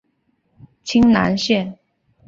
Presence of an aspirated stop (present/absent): present